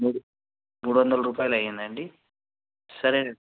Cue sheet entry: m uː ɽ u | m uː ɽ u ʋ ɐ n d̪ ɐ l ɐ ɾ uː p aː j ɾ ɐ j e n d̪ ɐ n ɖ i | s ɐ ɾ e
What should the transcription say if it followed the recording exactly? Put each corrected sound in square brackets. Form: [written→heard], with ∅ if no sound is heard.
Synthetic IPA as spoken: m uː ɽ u | m uː ɽ u ʋ ɐ n d̪ ɐ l ɐ ɾ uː p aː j [ɾ→l] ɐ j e n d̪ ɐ [n→ɳ] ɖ i | s ɐ ɾ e